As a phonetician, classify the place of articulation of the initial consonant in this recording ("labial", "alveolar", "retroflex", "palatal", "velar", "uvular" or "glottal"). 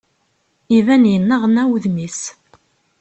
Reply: labial